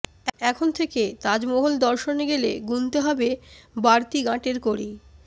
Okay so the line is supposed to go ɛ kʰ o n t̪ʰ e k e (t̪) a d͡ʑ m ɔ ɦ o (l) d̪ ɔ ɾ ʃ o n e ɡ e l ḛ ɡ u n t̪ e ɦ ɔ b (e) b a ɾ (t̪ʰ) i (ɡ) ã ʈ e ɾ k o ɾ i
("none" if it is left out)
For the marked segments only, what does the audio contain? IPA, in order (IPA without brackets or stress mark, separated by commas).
t̪, l, e, t̪, ɡ